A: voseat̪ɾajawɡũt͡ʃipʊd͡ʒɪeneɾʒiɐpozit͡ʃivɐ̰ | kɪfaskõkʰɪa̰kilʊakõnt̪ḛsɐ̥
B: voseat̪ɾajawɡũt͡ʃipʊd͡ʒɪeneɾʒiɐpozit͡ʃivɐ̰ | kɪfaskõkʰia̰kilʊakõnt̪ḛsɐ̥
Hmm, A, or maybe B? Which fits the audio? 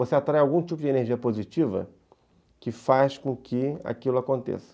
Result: A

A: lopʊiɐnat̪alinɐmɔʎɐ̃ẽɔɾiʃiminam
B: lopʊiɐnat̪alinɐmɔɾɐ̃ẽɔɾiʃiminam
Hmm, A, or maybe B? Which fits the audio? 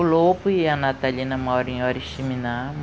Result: B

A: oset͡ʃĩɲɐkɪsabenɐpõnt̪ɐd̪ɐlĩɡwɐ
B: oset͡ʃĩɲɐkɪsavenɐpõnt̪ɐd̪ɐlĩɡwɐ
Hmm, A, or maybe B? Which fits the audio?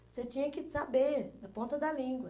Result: A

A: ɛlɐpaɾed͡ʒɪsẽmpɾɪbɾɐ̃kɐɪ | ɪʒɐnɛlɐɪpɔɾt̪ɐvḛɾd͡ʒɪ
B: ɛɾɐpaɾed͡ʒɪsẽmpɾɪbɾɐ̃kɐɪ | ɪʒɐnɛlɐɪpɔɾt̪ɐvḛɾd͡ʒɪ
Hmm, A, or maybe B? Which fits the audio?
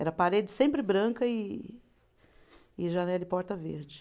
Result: B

